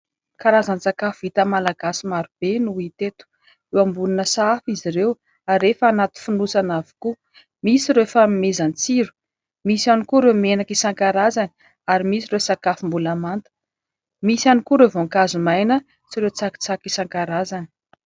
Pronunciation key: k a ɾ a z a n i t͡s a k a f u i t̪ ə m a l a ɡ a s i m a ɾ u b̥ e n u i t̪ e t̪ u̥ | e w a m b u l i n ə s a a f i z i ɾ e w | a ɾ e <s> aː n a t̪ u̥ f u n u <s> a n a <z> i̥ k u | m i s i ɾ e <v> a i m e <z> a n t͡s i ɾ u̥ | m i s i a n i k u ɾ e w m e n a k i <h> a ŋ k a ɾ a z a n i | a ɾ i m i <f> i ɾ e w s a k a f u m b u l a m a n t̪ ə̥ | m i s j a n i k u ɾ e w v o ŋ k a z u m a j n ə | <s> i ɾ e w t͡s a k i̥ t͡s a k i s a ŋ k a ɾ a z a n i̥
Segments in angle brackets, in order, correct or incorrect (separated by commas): incorrect, correct, incorrect, incorrect, correct, incorrect, incorrect, incorrect